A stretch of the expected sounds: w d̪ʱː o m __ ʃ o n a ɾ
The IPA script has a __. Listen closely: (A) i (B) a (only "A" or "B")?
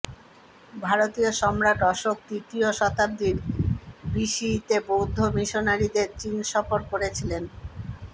A